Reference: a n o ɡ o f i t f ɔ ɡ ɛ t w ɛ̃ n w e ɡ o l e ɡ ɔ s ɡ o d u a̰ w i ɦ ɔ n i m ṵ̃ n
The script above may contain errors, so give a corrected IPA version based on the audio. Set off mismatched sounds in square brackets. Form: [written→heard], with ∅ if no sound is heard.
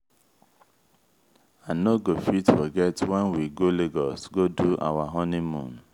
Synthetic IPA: a n o ɡ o f i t f ɔ ɡ ɛ t w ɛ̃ n w [e→i] ɡ o l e ɡ ɔ s ɡ o d u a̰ w [i→a] ɦ ɔ n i m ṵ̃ n